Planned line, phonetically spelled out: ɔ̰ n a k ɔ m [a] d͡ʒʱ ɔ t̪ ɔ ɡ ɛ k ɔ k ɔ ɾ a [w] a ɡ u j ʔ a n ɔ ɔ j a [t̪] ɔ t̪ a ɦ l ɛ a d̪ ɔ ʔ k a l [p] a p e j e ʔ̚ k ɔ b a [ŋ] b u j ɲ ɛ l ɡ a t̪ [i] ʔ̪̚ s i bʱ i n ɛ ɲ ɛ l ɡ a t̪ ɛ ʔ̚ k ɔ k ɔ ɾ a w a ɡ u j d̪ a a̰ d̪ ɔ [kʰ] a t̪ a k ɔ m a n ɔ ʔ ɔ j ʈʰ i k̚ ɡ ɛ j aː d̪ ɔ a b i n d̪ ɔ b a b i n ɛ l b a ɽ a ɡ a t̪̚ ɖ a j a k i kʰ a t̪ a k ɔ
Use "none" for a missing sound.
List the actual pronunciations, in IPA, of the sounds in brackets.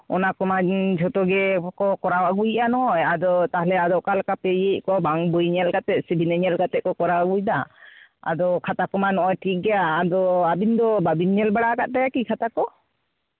a, w, d̪, k, ŋ, ɛ, kʰ

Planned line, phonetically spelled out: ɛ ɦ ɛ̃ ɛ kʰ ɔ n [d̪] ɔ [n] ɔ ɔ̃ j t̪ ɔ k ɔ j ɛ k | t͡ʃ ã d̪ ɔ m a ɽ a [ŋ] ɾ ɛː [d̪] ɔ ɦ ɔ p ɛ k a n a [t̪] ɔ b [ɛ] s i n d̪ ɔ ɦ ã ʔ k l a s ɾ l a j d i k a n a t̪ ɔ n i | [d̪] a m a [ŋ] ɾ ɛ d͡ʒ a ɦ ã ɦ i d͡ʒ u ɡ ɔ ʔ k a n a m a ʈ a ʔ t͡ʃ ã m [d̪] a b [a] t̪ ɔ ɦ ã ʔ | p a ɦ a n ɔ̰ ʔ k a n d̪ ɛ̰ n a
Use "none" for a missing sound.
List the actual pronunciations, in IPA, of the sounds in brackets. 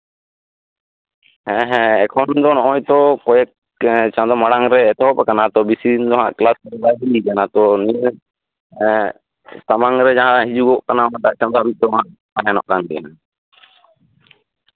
d̪, n, ŋ, t̪, t̪, i, t̪, ŋ, d̪, i

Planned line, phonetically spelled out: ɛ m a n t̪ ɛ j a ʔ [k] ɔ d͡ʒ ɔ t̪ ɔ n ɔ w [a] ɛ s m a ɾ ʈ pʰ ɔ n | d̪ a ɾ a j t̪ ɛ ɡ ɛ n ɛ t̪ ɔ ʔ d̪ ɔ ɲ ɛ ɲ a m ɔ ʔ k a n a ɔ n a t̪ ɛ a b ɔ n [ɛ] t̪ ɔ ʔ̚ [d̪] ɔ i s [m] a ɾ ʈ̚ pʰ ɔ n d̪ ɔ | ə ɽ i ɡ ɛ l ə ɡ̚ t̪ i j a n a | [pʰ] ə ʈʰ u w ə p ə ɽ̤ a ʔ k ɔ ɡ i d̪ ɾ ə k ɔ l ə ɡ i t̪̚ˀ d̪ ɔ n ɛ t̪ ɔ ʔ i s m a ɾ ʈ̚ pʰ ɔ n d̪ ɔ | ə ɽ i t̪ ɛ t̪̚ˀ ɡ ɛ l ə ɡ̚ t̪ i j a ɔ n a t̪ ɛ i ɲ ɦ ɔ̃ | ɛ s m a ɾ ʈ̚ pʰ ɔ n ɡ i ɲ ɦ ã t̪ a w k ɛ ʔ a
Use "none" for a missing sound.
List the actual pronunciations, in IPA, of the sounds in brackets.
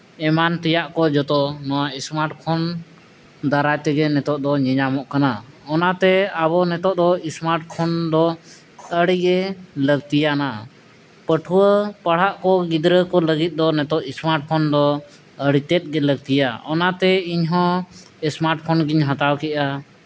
k, a, ɛ, d̪, m, p

